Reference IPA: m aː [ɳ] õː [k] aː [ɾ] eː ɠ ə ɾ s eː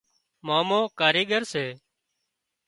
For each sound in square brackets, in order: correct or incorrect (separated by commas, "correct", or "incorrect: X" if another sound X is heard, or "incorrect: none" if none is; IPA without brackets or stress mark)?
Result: incorrect: m, correct, correct